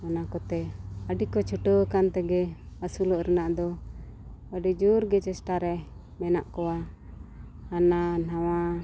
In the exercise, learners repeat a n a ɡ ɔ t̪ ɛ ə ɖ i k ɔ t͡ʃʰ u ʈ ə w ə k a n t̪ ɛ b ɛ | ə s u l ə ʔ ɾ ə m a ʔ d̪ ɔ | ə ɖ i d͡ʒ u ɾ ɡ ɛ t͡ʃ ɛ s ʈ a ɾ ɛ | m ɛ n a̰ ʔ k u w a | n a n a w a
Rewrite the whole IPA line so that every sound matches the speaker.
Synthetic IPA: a n a k ɔ t̪ ɛ ə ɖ i k ɔ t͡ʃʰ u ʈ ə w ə k a n t̪ ɛ ɡ ɛ | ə s u l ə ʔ ɾ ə n a ʔ d̪ ɔ | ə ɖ i d͡ʒ u ɾ ɡ ɛ t͡ʃ ɛ s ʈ a ɾ ɛ | m ɛ n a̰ ʔ k ɔ w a | n a n a w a